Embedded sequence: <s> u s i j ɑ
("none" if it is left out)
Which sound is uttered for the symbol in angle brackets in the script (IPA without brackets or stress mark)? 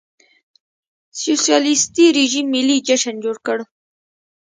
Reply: s